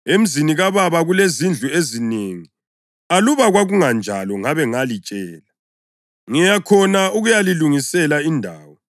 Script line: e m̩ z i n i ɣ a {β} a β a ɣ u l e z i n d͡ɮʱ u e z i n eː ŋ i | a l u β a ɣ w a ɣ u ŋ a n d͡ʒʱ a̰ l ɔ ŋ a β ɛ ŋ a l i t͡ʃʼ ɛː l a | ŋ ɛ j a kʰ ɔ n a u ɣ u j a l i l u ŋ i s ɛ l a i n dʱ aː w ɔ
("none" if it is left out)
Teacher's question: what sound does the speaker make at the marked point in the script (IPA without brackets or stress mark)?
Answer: β